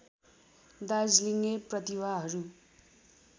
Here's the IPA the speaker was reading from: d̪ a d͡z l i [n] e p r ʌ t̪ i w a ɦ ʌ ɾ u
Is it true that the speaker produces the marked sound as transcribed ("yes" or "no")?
no